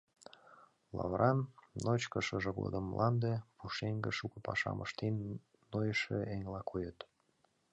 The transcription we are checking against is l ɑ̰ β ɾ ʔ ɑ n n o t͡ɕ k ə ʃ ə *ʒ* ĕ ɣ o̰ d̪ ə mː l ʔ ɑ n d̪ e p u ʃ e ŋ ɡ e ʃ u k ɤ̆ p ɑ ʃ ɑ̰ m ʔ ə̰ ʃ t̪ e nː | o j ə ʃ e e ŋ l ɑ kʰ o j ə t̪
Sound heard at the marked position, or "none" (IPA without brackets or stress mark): ʒ